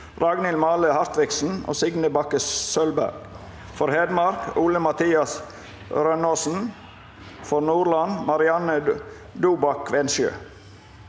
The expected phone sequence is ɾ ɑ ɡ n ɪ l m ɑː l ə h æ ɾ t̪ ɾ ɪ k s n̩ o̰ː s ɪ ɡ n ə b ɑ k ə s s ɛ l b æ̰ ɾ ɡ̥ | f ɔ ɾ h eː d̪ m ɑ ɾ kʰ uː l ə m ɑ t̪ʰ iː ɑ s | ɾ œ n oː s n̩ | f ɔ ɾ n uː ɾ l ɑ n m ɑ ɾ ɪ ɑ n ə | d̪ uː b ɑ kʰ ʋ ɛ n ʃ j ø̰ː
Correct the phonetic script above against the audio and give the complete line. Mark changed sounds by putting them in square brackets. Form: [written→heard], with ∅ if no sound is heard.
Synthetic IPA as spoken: ɾ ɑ ɡ n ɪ l m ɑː l ə h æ ɾ t̪ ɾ ɪ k s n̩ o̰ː s ɪ ɡ n ə b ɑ k ə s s [ɛ→œ] l b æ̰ ɾ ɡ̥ | f ɔ ɾ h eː d̪ m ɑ ɾ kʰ uː l ə m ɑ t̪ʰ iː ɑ s | ɾ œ n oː s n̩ | f ɔ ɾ n uː ɾ l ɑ n m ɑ ɾ ɪ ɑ n ə | d̪ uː b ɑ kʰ ʋ ɛ n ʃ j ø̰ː

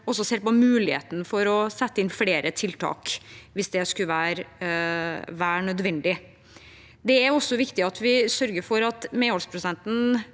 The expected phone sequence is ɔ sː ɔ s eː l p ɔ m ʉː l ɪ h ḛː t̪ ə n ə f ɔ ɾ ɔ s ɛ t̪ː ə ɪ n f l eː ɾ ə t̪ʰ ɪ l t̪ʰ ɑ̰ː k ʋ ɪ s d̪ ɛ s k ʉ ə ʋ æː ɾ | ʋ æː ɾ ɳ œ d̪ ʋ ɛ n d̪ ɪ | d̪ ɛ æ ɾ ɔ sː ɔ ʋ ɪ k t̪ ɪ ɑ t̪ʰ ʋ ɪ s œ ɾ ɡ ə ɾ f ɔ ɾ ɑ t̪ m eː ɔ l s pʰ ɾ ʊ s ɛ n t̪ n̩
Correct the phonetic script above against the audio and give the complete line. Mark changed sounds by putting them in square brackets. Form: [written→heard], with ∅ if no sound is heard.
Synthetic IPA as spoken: ɔ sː ɔ s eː [l→ɾ] p ɔ m ʉː l ɪ h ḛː t̪ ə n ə f ɔ ɾ ɔ s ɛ t̪ː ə ɪ n f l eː ɾ ə t̪ʰ ɪ l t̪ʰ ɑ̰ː k ʋ ɪ s d̪ ɛ s k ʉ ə ʋ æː ɾ | ʋ æː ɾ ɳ œ d̪ ʋ ɛ n d̪ ɪ | d̪ ɛ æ ɾ ɔ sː ɔ ʋ ɪ k t̪ ɪ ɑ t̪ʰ ʋ ɪ s œ ɾ ɡ ə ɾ f ɔ ɾ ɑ t̪ m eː ɔ l s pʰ ɾ ʊ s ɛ n t̪ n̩

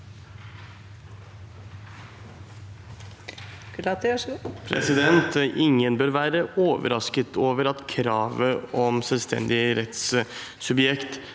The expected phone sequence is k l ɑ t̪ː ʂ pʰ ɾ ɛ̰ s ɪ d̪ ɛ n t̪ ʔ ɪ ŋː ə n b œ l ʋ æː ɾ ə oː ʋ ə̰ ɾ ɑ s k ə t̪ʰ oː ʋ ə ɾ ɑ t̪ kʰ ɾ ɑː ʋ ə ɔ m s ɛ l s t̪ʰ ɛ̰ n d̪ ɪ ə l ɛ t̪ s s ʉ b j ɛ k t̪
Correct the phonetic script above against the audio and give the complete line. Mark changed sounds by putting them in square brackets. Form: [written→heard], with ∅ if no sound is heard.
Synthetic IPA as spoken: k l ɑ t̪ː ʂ pʰ ɾ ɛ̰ s ɪ d̪ ɛ n t̪ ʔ ɪ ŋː ə n b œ [l→ɾ] ʋ æː ɾ ə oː ʋ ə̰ ɾ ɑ s k ə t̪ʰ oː ʋ ə ɾ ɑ t̪ kʰ ɾ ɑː ʋ ə ɔ m s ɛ l s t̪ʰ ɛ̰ n d̪ ɪ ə [l→ɾ] ɛ t̪ s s ʉ b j ɛ k t̪

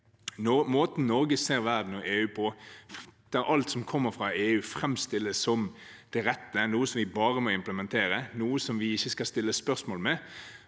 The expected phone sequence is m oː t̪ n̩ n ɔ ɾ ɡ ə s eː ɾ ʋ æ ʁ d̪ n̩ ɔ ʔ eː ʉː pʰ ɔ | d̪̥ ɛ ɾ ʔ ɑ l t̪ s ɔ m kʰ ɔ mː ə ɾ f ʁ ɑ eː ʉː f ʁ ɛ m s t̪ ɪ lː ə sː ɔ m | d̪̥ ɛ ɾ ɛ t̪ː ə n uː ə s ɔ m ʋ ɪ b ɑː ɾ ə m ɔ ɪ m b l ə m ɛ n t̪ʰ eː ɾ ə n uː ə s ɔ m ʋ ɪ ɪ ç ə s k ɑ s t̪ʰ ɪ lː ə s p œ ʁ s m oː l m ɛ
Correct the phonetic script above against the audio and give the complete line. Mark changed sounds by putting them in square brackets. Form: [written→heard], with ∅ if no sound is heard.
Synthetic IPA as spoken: m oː t̪ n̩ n ɔ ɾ ɡ ə s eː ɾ ʋ æ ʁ d̪ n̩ ɔ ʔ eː ʉː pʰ ɔ | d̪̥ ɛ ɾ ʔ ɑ l t̪ s ɔ m kʰ ɔ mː ə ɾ f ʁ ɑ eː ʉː f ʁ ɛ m s t̪ ɪ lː ə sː ɔ m | d̪̥ ɛ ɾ ɛ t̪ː ə n uː ə s ɔ m ʋ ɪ b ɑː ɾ ə m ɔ ɪ m [b→p] l ə m ɛ n t̪ʰ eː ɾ ə n uː ə s ɔ m ʋ ɪ ɪ ç ə s k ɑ s [t̪ʰ→t̪] ɪ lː ə s p œ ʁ s m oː l m ɛ

